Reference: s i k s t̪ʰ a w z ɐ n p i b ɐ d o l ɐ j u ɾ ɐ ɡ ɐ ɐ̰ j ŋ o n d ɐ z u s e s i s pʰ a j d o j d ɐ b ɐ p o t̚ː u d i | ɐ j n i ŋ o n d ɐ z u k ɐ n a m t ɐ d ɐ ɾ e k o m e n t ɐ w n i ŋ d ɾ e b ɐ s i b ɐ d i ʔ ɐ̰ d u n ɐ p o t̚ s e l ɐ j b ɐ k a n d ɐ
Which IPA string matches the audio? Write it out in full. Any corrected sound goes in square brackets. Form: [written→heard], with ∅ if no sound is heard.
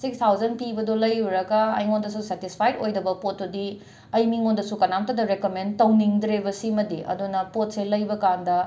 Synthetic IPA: s i k s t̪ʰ a w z ɐ n p i b ɐ d o l ɐ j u ɾ ɐ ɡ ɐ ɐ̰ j ŋ o n d ɐ [z→s] u s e [s→t] i s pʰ a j d o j d ɐ b ɐ p o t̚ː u d i | ɐ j [n→m] i ŋ o n d ɐ [z→s] u k ɐ n a m t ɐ d ɐ ɾ e k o m e n t ɐ w n i ŋ d ɾ e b ɐ s i [b→m] ɐ d i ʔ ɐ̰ d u n ɐ p o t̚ s e l ɐ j b ɐ k a n d ɐ